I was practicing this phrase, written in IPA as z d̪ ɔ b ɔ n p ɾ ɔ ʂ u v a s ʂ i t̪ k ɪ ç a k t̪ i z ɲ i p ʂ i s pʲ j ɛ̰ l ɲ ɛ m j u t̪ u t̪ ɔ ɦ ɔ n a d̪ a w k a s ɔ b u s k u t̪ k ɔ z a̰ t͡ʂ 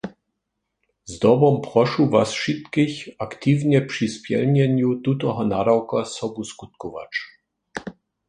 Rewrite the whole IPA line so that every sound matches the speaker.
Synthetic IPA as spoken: z d̪ ɔ b ɔ m p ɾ ɔ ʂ u v a s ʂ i t̪ k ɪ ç a k t̪ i v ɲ ɛ p ʂ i s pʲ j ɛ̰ l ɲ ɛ ɲ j u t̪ u t̪ ɔ ɦ ɔ n a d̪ a w k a s ɔ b u s k u t̪ k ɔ v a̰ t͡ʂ